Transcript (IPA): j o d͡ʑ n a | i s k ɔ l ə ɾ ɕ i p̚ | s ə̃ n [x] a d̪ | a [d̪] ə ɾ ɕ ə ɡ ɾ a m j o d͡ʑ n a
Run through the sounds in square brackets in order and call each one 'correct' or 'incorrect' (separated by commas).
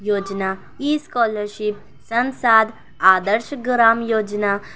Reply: incorrect, correct